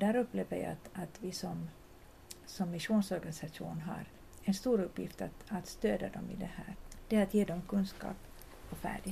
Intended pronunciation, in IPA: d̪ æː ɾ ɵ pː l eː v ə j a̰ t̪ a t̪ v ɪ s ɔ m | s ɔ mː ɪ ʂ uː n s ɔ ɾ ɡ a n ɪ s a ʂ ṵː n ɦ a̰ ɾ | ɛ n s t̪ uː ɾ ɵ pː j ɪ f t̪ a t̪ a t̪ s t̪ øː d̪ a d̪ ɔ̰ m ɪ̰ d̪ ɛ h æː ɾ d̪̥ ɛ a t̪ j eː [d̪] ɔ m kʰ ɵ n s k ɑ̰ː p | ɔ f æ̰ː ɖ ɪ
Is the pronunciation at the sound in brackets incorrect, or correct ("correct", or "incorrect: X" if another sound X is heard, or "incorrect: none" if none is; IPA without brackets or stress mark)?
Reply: correct